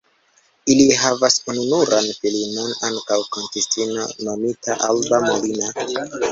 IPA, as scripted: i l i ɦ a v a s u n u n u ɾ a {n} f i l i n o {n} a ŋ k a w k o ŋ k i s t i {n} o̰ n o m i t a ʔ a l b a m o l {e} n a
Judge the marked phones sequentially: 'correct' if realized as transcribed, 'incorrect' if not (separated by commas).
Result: correct, correct, correct, incorrect